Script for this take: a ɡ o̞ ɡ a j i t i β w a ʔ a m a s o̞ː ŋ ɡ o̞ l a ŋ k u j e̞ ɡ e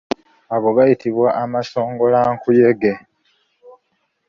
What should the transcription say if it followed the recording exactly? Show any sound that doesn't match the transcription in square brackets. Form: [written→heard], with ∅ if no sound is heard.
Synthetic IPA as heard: a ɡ o̞ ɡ a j i t i β w a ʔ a m a s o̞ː ŋ ɡ o̞ l a ŋ k u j e̞ ɡ e